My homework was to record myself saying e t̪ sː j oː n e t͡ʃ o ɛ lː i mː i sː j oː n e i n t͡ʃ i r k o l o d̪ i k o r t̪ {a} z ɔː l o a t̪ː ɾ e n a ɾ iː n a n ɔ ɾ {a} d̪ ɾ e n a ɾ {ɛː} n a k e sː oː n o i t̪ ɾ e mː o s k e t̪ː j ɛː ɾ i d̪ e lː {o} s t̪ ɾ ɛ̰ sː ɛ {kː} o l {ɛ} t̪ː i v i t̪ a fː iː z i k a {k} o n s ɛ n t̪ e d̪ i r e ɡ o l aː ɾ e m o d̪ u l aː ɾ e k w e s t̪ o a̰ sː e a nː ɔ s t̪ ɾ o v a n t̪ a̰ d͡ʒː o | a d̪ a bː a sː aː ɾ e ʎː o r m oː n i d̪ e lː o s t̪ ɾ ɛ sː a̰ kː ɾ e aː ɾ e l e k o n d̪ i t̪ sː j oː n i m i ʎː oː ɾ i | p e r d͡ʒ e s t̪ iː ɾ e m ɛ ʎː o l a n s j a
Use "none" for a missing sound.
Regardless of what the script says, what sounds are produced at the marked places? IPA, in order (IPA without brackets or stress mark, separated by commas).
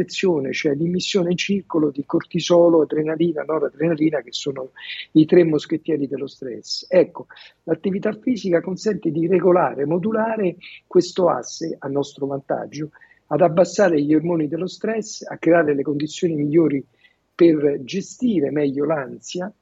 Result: i, a, iː, o, kː, a, k